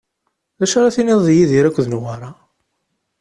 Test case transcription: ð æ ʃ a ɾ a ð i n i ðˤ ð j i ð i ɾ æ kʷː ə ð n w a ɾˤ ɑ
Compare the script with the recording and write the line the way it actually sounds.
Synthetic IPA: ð æ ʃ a ɾ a θ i n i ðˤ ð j i ð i ɾ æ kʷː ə ð n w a ɾˤ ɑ